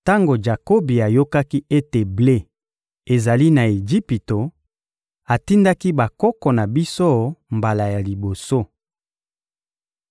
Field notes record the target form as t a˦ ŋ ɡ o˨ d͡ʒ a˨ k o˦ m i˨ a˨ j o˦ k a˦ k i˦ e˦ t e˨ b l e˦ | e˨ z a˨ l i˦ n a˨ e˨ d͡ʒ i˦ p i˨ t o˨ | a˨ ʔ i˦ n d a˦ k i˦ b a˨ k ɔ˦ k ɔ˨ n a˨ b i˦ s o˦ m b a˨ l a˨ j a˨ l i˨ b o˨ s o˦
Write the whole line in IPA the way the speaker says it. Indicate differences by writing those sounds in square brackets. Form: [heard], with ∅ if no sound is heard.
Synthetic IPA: t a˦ ŋ ɡ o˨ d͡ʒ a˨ k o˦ [b] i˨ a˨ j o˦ k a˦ k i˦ e˦ t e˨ b l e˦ | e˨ z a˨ l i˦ n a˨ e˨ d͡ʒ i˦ p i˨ t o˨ | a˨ [t] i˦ n d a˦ k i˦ b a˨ k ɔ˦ k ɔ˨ n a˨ b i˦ s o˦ m b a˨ l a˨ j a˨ l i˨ b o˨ s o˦